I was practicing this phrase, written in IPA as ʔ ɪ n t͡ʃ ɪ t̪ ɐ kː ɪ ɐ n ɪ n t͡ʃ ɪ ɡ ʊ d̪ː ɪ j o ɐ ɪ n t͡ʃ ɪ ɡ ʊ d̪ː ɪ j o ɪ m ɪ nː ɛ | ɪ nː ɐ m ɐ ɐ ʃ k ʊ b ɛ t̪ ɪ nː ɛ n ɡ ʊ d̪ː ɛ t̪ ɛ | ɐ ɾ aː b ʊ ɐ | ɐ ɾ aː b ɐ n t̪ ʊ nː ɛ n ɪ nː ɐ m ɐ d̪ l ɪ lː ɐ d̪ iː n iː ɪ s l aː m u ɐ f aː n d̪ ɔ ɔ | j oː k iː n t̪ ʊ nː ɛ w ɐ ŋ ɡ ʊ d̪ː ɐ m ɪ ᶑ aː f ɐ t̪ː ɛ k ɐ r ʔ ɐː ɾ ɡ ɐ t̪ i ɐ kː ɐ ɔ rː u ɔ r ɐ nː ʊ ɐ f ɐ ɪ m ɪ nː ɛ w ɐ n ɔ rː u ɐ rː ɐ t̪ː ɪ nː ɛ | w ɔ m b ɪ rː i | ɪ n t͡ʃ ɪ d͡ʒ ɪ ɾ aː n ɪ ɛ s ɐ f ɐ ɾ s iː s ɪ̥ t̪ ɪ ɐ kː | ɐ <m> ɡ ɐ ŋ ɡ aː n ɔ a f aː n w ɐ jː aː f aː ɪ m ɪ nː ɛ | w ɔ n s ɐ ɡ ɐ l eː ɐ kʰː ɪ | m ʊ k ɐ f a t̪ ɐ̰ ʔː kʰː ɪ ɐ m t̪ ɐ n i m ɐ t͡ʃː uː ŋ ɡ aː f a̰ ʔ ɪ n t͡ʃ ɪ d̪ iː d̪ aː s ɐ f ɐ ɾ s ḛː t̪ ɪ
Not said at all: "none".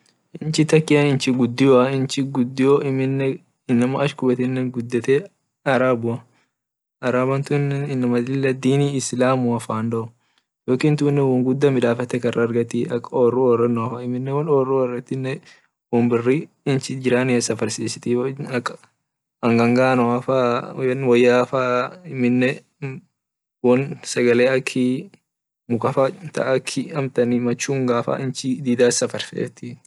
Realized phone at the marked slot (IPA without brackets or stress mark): ŋ